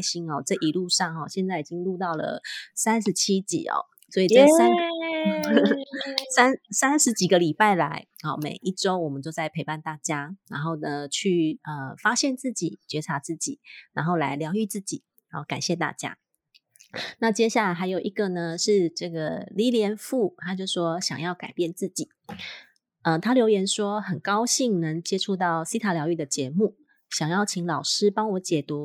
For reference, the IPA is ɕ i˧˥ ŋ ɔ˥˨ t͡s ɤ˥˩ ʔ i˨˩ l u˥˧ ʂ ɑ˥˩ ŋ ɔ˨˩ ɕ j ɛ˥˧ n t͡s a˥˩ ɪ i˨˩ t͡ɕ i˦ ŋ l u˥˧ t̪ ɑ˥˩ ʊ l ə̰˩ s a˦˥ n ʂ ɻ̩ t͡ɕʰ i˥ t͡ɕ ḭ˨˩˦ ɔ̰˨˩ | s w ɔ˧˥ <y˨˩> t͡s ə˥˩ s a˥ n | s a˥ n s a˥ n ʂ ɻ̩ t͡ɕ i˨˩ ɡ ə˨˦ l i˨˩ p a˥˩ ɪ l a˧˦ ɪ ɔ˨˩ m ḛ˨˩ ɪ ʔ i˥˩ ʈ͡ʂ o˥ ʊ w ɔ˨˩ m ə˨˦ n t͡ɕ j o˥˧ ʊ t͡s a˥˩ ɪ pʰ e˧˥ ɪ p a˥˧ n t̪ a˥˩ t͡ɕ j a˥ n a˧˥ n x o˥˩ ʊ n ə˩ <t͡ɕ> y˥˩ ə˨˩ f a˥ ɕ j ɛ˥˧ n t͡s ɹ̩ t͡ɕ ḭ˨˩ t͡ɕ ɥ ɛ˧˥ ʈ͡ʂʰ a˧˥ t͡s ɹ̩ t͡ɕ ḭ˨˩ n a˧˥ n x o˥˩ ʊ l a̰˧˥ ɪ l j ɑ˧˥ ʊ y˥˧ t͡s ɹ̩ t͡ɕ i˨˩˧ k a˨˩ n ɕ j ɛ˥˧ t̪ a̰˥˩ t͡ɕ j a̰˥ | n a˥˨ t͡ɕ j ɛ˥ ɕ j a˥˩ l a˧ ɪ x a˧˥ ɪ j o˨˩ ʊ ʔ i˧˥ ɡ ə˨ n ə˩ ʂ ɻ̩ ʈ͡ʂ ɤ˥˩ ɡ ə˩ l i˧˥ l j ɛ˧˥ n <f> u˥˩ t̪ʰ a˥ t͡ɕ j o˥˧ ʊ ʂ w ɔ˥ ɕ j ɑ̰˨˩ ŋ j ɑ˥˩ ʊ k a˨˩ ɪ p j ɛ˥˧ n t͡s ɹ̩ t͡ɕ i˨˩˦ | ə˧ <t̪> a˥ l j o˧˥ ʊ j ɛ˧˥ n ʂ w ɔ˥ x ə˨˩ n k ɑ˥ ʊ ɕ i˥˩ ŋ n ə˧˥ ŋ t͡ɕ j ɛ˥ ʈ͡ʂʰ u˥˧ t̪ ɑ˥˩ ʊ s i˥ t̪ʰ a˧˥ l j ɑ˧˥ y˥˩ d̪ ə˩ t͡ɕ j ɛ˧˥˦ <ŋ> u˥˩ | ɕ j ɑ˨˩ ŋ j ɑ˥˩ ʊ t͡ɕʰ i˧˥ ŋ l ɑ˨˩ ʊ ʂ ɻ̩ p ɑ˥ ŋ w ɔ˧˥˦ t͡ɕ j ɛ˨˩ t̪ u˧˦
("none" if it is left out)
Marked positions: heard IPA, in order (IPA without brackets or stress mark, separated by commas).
i˨˩, t͡ɕʰ, f, t̪ʰ, m